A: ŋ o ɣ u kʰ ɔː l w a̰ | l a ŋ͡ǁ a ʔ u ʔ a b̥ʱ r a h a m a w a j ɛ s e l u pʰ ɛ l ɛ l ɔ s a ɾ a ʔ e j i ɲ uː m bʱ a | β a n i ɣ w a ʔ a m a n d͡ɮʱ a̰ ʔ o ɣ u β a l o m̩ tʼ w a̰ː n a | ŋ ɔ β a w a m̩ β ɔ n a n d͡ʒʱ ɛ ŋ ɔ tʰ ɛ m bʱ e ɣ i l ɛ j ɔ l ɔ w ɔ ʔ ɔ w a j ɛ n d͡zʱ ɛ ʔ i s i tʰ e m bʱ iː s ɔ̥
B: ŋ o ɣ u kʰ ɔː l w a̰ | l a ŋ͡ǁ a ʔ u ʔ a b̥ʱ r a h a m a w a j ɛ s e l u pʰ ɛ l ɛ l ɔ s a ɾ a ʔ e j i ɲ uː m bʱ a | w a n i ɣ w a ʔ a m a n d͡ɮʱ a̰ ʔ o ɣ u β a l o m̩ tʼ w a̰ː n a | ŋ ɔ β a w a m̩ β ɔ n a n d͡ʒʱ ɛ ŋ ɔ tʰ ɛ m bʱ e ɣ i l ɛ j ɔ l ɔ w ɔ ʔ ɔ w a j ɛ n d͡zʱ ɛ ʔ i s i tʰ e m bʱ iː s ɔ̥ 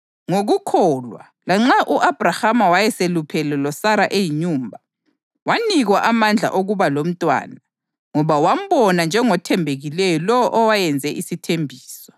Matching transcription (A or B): B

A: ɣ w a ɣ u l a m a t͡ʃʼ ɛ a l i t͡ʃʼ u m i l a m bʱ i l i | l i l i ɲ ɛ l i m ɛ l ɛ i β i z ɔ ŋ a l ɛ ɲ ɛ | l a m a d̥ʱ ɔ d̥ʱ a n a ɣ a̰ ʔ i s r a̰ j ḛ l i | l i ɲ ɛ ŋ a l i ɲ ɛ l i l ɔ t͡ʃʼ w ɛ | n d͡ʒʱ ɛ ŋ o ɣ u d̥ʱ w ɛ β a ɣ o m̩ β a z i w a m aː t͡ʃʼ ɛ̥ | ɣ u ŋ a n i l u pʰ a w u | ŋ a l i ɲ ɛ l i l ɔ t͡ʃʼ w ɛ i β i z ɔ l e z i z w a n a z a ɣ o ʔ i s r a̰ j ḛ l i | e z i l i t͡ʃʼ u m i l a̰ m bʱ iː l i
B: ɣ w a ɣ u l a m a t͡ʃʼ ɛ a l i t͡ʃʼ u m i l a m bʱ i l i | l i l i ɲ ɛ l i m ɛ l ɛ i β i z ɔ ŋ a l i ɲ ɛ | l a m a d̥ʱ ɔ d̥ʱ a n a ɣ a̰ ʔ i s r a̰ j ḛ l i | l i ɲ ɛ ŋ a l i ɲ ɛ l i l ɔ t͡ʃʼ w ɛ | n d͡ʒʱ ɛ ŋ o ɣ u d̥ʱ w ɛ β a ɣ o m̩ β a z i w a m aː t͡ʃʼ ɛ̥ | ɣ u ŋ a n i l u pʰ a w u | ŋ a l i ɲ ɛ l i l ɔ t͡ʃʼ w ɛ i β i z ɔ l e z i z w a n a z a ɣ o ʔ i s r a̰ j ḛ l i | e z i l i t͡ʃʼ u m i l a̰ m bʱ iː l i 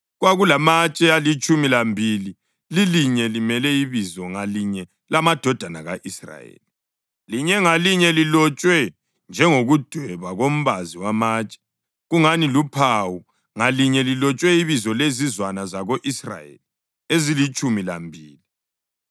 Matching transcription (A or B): B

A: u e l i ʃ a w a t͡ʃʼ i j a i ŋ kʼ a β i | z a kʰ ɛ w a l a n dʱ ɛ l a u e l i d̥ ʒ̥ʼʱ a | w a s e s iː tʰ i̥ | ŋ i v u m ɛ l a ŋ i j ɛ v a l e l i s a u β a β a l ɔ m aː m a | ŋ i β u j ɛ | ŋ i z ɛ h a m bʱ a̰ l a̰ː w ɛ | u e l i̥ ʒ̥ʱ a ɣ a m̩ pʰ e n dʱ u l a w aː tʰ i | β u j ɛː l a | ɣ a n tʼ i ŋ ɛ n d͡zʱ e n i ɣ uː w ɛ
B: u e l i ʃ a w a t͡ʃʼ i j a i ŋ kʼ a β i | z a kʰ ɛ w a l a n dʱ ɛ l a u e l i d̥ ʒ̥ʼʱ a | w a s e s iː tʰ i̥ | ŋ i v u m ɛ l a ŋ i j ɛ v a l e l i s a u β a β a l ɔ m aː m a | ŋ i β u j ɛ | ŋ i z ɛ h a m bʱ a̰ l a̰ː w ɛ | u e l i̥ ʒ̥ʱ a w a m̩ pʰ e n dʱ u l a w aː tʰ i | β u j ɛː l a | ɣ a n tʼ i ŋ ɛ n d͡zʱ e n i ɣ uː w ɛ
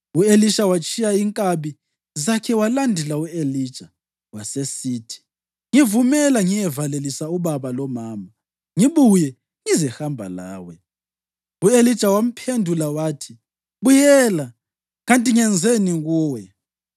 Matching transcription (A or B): B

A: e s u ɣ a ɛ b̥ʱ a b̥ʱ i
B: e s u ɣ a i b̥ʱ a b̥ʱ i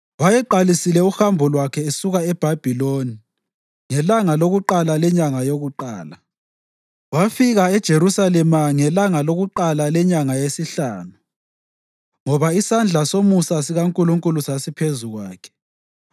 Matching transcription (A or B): A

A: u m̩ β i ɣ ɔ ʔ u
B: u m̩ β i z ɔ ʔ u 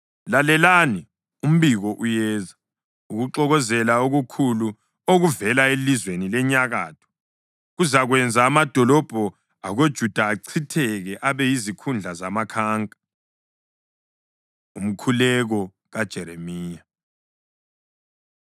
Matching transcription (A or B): A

